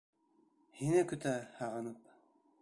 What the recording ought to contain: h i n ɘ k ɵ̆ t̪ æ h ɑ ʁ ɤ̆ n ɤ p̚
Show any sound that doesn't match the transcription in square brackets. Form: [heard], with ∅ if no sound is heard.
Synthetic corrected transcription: h i n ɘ k ɵ̆ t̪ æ h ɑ ʁ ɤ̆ n ɤ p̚